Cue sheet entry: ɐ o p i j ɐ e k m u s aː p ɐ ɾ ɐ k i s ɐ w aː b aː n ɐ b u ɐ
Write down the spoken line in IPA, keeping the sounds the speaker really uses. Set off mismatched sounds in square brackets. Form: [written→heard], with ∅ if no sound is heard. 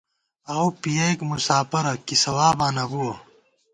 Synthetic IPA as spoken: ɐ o p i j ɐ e k m u s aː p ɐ ɾ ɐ k i s ɐ w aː b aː n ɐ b u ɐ